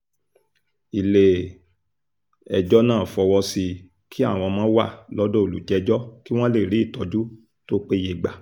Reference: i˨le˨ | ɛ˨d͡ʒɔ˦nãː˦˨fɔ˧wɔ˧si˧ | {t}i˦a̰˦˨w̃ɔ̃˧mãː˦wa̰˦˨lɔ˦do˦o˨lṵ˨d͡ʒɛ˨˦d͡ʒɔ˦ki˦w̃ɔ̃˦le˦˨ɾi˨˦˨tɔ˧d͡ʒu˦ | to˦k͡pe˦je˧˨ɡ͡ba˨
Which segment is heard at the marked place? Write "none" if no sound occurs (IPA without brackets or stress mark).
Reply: k